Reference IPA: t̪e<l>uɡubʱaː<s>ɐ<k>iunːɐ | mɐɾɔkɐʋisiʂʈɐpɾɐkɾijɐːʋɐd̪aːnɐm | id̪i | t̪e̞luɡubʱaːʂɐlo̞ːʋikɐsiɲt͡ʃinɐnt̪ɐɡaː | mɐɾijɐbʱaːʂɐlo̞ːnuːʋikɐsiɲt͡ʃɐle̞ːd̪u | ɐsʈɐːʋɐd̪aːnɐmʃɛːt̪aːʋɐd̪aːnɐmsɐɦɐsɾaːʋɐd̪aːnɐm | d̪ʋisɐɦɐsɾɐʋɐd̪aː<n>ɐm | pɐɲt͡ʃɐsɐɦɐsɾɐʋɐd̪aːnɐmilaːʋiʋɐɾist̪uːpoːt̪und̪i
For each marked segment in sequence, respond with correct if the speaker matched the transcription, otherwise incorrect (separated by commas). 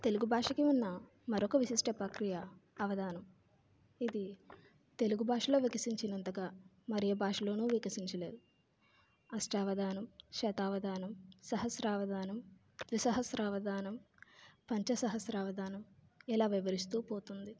correct, incorrect, correct, correct